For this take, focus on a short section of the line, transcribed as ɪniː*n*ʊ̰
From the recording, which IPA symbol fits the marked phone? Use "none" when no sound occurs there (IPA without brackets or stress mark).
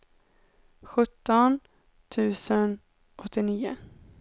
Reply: none